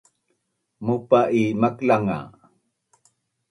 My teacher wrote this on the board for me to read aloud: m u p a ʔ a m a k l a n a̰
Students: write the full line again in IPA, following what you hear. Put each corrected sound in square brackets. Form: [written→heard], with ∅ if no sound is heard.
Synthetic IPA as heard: m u p a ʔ [a→i] m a k l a [n→ŋ] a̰